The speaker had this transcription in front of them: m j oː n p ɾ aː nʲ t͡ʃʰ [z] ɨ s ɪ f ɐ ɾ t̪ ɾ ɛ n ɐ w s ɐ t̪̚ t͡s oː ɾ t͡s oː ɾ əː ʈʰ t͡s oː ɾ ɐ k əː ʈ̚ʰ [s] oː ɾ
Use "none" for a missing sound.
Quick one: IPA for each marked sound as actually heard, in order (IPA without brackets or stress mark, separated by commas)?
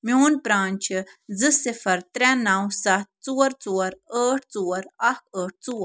z, t͡s